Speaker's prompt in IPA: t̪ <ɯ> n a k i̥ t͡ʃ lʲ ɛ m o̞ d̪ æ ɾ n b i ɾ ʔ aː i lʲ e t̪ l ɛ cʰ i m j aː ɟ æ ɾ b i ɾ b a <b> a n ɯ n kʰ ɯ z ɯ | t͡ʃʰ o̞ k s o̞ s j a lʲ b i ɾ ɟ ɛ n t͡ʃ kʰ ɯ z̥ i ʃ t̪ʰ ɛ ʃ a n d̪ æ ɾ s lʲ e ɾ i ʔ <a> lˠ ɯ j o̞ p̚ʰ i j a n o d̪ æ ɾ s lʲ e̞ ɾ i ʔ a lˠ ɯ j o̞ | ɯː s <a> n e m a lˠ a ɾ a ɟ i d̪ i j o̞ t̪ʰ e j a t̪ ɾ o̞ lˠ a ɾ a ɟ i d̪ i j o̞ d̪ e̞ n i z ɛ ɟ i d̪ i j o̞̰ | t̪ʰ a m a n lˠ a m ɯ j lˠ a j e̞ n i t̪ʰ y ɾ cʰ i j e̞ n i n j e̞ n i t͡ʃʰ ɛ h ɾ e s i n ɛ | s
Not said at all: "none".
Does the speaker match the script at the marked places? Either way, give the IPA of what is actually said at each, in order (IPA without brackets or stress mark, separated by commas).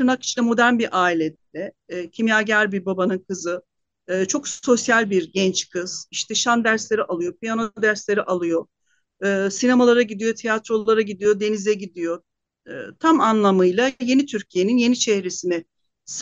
ɯ, b, a, i